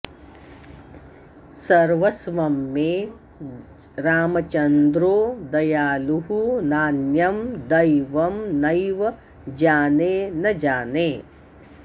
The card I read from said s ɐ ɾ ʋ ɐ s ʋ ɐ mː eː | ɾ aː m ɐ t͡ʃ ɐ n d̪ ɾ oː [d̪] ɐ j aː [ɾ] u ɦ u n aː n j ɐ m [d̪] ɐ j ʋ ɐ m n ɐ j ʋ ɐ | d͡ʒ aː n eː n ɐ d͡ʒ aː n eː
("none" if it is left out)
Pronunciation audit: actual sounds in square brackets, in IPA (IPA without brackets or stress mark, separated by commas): d̪, l, d̪